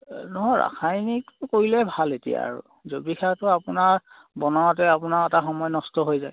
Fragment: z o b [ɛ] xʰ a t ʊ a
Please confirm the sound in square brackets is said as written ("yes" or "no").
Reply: no